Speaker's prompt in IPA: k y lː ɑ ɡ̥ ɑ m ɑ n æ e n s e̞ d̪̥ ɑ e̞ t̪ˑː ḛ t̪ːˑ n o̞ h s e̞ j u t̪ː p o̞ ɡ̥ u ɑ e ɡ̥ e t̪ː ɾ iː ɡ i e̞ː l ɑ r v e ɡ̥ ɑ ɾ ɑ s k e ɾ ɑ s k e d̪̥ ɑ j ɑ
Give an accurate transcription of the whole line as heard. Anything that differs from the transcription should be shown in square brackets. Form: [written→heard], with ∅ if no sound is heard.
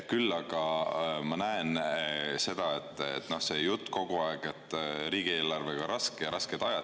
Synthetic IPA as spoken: k y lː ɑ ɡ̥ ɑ m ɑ n æ e n s e̞ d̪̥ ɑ e̞ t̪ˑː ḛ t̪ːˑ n o̞ h s e̞ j u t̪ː [p→k] o̞ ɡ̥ u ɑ e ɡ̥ e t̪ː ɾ iː ɡ i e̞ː l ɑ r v e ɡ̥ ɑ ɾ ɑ s k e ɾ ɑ s k e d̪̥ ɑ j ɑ

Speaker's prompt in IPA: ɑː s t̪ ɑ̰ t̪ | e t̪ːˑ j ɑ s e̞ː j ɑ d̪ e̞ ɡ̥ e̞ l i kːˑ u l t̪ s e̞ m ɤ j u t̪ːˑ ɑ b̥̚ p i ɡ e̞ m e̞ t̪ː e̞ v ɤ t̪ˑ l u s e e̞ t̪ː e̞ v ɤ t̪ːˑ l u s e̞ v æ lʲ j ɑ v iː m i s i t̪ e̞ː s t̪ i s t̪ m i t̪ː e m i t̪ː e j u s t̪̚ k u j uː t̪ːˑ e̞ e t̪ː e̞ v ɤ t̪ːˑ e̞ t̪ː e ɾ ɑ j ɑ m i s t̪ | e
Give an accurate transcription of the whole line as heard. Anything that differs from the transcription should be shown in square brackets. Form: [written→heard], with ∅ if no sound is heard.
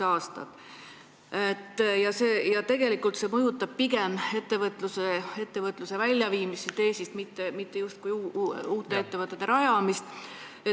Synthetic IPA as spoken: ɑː s t̪ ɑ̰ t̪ | e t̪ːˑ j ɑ s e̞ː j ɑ [d̪→t̪] e̞ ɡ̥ e̞ l i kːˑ u l t̪ s e̞ m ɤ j u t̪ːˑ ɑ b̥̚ p i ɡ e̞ m e̞ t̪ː e̞ v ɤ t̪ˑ l u s e e̞ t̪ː e̞ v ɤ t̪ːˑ l u s e̞ v æ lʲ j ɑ v iː m i s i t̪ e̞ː s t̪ i s t̪ m i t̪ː e m i t̪ː e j u s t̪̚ k u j uː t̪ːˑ e̞ e t̪ː e̞ v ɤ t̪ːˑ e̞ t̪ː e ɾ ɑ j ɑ m i s t̪ | e

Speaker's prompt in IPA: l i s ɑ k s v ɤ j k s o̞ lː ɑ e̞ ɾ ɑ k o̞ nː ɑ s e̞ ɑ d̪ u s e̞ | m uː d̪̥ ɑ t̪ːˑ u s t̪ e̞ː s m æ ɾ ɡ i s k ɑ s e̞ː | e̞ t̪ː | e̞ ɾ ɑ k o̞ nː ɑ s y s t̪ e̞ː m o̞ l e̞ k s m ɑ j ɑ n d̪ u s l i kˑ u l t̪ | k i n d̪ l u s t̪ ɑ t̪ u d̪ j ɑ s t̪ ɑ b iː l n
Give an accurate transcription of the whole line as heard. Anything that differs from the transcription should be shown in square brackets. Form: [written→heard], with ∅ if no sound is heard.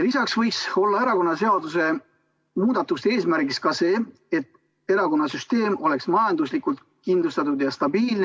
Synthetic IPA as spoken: l i s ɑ k s v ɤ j k s o̞ lː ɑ e̞ ɾ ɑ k o̞ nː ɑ s e̞ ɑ d̪ u s e̞ | m uː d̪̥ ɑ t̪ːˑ u s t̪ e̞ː s m æ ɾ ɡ i s k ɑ s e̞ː | e̞ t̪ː | e̞ ɾ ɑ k o̞ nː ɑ s y s t̪ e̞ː m o̞ l e̞ k s m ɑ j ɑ n d̪ u s l i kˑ u l t̪ | k i n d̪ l u s t̪ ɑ t̪ u d̪ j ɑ s t̪ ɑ b iː l n

